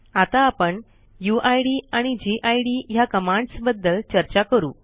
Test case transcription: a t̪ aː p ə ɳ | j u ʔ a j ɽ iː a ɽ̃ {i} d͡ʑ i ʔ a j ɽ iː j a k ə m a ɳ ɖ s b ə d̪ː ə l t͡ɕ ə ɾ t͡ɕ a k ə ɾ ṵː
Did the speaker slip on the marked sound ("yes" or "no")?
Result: no